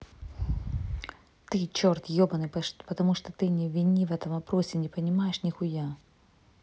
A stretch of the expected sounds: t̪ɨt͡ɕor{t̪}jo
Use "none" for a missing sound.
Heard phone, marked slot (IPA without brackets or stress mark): t̪